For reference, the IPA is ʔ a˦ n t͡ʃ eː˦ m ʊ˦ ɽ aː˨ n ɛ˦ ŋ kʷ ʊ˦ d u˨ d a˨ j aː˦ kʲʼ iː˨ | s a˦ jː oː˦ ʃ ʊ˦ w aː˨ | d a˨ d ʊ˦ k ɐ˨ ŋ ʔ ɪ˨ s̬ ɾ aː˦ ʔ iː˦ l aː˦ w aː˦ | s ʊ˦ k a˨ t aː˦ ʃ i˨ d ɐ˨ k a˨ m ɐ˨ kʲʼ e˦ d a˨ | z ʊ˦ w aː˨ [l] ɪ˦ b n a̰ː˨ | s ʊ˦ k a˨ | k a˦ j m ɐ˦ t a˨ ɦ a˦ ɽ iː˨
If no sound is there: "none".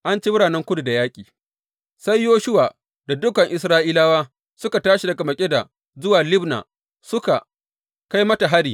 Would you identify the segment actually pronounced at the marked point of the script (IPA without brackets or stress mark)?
l